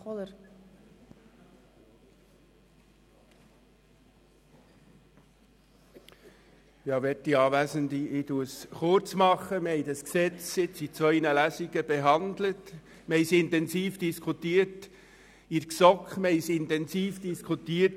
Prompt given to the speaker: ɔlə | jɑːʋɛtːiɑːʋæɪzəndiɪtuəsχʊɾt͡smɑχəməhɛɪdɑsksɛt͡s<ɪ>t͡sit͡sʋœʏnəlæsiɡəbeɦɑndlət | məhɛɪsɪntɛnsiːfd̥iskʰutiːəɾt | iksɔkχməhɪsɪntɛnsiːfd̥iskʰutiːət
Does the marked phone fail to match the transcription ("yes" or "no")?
no